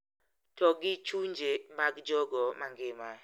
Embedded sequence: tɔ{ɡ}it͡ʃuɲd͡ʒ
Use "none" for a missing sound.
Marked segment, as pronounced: ɡ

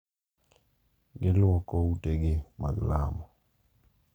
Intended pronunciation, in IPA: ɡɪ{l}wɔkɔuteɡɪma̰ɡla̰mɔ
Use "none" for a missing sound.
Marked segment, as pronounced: l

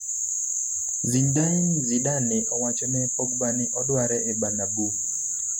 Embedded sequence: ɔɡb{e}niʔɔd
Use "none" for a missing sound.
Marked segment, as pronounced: a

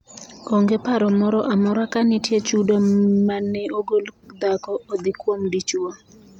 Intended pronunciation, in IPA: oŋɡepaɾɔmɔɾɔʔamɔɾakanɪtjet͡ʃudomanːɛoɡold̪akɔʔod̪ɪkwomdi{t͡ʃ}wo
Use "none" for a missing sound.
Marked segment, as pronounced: t͡ʃ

